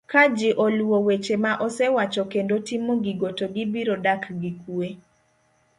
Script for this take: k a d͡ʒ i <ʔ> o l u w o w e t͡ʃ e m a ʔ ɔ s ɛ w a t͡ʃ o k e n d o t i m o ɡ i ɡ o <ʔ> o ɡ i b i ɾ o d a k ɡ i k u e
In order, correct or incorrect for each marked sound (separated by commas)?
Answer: correct, incorrect